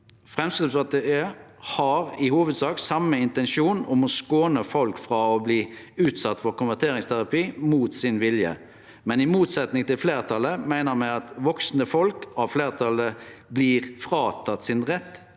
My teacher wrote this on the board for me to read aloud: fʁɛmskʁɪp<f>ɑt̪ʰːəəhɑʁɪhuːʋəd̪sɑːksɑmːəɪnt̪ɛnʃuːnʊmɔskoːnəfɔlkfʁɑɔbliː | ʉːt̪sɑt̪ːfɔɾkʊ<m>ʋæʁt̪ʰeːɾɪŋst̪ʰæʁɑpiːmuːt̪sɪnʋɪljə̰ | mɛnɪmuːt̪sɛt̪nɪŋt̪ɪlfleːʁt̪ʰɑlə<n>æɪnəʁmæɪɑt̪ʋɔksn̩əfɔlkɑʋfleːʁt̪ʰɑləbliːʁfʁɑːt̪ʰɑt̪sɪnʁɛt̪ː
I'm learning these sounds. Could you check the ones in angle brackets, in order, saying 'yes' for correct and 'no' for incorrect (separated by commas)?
no, no, no